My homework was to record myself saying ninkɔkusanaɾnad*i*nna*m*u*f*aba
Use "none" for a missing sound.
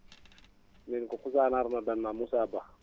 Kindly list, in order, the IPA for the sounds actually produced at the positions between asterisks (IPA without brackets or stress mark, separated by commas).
a, m, s